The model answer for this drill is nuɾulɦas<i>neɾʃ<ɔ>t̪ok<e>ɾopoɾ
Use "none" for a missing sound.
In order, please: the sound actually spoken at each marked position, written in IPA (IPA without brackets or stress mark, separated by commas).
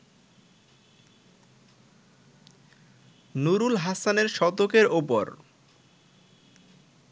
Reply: a, ɔ, e